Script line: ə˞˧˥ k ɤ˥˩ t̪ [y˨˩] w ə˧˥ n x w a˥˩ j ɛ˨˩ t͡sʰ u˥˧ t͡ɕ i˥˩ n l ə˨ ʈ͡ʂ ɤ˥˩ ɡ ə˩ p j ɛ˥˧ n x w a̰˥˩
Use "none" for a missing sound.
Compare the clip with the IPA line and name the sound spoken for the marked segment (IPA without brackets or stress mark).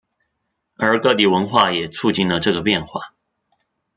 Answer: i˨˩